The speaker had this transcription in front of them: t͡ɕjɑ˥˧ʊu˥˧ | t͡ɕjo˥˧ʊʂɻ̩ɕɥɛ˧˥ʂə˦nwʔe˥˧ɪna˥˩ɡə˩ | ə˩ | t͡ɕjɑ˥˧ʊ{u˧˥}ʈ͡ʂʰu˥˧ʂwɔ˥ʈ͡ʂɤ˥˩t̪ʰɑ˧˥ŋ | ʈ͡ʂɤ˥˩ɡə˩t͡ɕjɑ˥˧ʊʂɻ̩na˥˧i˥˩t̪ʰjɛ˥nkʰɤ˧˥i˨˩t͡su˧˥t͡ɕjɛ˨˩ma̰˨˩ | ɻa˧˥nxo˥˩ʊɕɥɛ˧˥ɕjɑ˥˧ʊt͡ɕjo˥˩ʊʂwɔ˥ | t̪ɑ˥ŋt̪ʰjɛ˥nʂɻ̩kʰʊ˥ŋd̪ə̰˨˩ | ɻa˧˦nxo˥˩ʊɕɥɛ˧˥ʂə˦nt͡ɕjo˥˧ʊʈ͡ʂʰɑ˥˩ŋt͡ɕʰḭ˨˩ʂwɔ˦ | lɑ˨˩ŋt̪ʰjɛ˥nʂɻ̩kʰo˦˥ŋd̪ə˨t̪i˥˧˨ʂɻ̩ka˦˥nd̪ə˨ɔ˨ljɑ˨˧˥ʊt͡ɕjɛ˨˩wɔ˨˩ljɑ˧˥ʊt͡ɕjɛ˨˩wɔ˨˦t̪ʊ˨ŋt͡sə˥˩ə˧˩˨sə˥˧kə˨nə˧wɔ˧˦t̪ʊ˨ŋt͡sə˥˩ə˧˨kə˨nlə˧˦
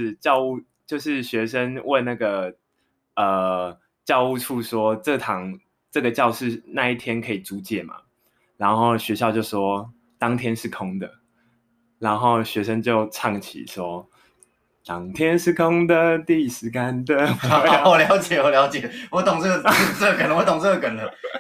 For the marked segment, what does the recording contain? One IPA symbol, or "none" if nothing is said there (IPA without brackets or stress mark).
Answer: u˥˧